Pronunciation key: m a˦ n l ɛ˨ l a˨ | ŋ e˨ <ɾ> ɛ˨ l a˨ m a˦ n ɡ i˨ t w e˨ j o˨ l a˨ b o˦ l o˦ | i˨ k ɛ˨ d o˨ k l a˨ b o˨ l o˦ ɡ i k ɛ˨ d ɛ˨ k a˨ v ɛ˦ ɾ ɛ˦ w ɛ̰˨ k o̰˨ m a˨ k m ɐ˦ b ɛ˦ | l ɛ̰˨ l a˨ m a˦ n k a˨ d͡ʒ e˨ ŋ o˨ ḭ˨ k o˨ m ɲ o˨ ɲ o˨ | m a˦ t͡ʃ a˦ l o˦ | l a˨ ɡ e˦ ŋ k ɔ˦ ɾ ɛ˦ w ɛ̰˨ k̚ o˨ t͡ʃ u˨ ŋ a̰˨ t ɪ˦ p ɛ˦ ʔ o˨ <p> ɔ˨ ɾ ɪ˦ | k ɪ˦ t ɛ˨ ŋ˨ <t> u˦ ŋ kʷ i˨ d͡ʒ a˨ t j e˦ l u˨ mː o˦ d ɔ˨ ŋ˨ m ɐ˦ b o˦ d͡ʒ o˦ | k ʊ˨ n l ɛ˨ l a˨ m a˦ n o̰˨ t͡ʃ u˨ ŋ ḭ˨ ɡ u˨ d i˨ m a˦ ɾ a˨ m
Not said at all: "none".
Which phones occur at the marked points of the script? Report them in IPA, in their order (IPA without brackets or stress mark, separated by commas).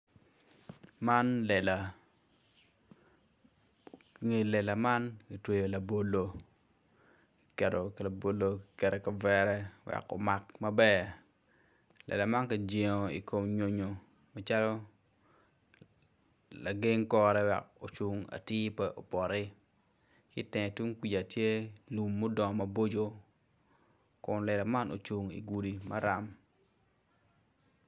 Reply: l, p, t